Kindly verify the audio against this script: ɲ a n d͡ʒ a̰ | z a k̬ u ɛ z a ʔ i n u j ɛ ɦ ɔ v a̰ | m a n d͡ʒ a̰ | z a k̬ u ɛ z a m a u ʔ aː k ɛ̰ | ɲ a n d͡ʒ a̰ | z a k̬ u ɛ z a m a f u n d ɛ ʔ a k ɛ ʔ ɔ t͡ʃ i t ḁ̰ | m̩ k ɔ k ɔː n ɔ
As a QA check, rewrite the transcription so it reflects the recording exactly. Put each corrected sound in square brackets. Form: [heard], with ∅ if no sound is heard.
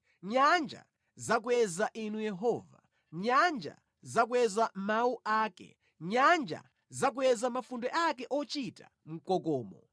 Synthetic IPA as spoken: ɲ a n d͡ʒ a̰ | z a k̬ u ɛ z a ʔ i n u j ɛ ɦ ɔ v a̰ | [ɲ] a n d͡ʒ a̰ | z a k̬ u ɛ z a m a u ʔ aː k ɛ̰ | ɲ a n d͡ʒ a̰ | z a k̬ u ɛ z a m a f u n d ɛ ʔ a k ɛ ʔ ɔ t͡ʃ i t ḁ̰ | m̩ k ɔ k ɔː [m] ɔ